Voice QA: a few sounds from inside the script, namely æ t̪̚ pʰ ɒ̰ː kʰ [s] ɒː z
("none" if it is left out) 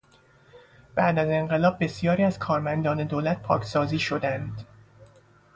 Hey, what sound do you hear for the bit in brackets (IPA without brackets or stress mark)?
s